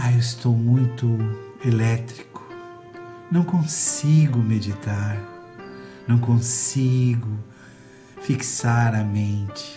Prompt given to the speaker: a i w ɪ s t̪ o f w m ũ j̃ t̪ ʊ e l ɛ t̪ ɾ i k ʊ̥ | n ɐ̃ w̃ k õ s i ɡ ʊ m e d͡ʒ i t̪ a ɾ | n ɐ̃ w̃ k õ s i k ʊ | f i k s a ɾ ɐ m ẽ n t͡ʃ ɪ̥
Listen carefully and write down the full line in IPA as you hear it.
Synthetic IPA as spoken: a e w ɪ s t̪ o w m ũ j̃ t̪ ʊ e l ɛ t̪ ɾ i k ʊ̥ | n ɐ̃ w̃ k õ s i ɡ ʊ m e d͡ʒ i t̪ a ɾ | n ɐ̃ w̃ k õ s i ɡ ʊ | f i k s a ɾ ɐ m ẽ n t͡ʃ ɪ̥